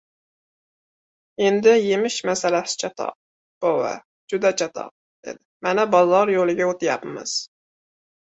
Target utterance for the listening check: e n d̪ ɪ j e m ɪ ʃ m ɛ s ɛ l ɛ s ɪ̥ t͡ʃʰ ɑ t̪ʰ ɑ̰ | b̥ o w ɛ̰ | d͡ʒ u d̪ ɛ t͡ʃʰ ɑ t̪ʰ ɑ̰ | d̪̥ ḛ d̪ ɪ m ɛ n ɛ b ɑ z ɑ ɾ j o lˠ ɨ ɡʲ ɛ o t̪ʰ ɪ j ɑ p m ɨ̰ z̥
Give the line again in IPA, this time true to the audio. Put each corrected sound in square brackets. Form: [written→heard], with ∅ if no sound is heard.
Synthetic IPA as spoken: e n d̪ ɪ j e m ɪ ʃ m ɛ s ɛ l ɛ s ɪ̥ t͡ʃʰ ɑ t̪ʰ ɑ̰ | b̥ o w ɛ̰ | d͡ʒ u d̪ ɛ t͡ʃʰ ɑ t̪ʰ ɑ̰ | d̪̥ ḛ d̪ ɪ m ɛ n ɛ b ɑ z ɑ ɾ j o lˠ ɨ ɡʲ ɛ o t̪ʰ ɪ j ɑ p m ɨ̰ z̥

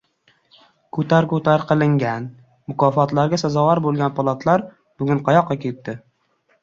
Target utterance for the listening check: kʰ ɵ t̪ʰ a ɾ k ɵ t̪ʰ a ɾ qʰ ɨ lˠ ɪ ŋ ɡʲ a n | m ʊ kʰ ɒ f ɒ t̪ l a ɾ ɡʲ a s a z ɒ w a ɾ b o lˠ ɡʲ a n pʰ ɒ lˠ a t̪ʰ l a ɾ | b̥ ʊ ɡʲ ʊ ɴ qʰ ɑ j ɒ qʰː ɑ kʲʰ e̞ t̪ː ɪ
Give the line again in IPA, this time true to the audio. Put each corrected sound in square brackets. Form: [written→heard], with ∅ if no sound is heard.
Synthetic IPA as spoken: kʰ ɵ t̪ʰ a ɾ k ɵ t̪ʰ a ɾ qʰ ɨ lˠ ɪ ŋ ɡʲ a n | m ʊ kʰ ɒ f ɒ t̪ l a ɾ ɡʲ a s a z ɒ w a ɾ b o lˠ ɡʲ a n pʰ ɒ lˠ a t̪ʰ l a ɾ | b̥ ʊ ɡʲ ʊ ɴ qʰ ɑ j ɒ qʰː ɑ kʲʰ e̞ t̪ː ɪ

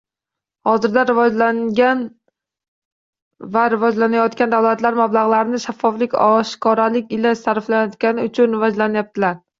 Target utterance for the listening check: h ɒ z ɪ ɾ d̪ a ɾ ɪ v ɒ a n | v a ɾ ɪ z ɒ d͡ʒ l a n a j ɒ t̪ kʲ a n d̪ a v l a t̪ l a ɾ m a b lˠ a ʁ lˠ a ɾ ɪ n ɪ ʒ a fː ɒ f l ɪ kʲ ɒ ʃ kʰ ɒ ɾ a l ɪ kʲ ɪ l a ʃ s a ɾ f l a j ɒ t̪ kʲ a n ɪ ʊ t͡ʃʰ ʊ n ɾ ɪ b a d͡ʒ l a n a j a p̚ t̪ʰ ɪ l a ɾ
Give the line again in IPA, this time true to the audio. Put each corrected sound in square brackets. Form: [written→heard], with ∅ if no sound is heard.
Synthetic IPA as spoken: h ɒ z ɪ ɾ d̪ a ɾ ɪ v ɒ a n | v a ɾ ɪ [z→v] ɒ d͡ʒ l a n a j ɒ t̪ kʲ a n d̪ a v l a t̪ l a ɾ m a b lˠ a ʁ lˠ a ɾ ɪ n ɪ [ʒ→ʃ] a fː ɒ f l ɪ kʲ ɒ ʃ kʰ ɒ ɾ a l ɪ kʲ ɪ l a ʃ s a ɾ f l a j ɒ t̪ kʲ a n ɪ ʊ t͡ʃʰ ʊ n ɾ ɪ [b→v] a d͡ʒ l a n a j a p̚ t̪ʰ ɪ l a ɾ

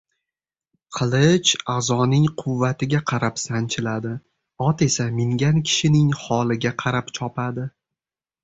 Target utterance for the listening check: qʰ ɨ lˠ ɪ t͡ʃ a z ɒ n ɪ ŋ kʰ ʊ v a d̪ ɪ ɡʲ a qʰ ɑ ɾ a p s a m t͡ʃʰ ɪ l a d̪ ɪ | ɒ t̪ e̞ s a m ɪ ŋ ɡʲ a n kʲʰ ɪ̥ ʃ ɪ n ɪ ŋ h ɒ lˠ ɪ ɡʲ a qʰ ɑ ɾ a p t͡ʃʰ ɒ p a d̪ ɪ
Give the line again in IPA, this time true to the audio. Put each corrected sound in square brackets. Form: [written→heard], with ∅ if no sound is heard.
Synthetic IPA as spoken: qʰ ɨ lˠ ɪ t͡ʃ a z ɒ n ɪ ŋ [kʰ→qʰ] ʊ [v→vː] a [d̪→t̪] ɪ ɡʲ a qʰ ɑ ɾ a p s a [m→n] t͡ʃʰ ɪ l a d̪ ɪ | ɒ t̪ e̞ s a m ɪ ŋ ɡʲ a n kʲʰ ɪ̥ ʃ ɪ n ɪ ŋ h ɒ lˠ ɪ ɡʲ a qʰ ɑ ɾ a p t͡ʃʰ ɒ p a d̪ ɪ

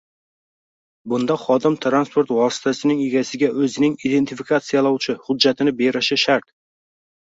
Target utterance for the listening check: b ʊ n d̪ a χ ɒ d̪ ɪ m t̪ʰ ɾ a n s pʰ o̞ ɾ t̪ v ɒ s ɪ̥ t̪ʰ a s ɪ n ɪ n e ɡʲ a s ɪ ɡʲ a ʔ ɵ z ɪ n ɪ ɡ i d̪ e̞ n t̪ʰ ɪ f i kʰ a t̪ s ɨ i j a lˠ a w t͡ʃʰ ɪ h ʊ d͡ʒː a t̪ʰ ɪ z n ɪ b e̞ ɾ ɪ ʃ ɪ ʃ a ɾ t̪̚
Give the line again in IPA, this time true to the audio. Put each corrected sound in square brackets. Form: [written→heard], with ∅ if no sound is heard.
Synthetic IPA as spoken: b ʊ n d̪ a χ ɒ d̪ ɪ m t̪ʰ ɾ a n s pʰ o̞ ɾ t̪ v ɒ s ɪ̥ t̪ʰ a s ɪ n ɪ [n→ŋ] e ɡʲ a s ɪ ɡʲ a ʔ ɵ z ɪ n ɪ [ɡ→ŋ] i d̪ e̞ n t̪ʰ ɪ f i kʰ a t̪ s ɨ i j a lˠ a w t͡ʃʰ ɪ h ʊ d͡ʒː a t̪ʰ ɪ [z→∅] n ɪ b e̞ ɾ ɪ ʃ ɪ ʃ a ɾ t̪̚

